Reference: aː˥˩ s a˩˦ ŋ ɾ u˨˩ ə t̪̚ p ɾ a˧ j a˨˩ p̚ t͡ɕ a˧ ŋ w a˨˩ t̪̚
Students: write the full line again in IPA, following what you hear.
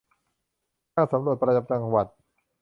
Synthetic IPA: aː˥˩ s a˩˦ m ɾ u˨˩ ə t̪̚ p ɾ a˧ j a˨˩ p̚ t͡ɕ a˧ ŋ w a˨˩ t̪̚